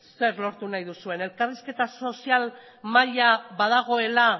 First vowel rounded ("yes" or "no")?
no